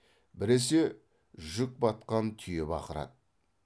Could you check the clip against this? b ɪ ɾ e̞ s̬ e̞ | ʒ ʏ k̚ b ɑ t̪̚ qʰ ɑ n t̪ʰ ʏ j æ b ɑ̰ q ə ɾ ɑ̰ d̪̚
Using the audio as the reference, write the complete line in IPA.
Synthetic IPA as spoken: b ɪ ɾ e̞ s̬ e̞ | ʒ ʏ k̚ b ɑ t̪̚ q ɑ n t̪ʰ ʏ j e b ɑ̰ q ə ɾ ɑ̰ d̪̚